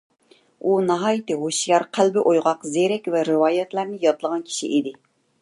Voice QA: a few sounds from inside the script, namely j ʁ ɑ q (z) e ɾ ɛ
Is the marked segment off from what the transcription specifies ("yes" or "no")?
no